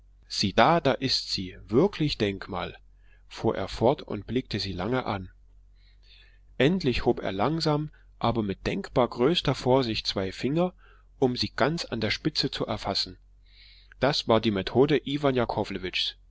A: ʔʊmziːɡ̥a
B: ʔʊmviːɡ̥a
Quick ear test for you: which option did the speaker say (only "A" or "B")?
A